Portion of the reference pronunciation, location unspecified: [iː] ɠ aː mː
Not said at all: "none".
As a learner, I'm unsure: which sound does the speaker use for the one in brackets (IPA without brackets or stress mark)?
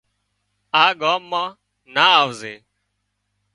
aː